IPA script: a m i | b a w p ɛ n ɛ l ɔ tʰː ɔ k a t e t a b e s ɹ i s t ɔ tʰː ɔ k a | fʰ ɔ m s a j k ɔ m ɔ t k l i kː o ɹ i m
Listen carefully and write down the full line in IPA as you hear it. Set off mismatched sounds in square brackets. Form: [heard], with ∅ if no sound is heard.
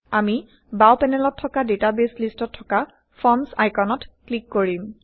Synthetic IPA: a m i | b a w p ɛ n ɛ l ɔ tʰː ɔ k a [d] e t a b e s [l] i s t ɔ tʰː ɔ k a | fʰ ɔ m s a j k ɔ [n] ɔ t k l i kː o ɹ i m